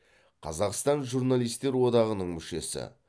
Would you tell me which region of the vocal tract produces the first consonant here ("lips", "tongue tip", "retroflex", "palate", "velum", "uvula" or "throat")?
uvula